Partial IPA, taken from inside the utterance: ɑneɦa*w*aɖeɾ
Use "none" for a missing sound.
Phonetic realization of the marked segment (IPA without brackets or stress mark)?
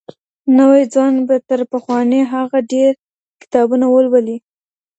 ɣ